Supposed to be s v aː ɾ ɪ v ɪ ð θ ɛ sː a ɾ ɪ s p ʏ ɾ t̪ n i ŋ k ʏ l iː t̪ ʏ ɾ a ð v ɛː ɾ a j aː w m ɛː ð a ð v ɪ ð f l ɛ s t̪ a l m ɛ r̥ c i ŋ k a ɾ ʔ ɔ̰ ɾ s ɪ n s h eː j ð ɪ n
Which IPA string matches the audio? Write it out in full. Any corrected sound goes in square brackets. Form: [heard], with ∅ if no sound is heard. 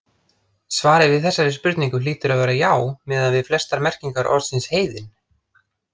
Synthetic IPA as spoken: s v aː ɾ ɪ v ɪ ð θ ɛ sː a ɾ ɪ s p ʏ ɾ t̪ n i ŋ k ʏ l iː t̪ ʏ ɾ a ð v ɛː ɾ a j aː w m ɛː ð a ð v ɪ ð f l ɛ s t̪ a [ɾ] m ɛ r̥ c i ŋ k a ɾ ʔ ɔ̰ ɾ s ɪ n s h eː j ð ɪ n